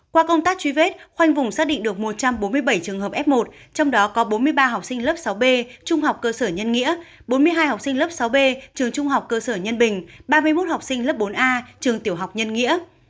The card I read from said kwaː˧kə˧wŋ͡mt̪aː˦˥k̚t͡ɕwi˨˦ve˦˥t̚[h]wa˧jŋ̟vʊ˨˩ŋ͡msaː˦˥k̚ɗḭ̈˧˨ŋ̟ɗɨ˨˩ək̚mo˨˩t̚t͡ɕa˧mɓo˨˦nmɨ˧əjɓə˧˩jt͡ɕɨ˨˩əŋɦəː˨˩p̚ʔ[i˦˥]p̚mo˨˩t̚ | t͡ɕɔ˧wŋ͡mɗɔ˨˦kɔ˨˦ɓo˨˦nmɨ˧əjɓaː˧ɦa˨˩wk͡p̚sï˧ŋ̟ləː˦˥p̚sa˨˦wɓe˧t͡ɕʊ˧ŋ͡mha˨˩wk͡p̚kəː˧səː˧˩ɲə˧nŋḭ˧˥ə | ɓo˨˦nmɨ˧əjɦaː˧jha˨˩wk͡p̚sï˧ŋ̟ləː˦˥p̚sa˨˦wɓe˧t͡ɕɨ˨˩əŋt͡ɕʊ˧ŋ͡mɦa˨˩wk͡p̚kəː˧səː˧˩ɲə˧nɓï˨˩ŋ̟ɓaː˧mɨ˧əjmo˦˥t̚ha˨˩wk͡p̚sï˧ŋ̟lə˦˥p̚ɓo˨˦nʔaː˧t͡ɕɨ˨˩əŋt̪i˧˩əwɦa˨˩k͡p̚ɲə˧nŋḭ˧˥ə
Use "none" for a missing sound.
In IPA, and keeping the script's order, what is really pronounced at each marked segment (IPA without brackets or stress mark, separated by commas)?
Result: x, ɛ˦˥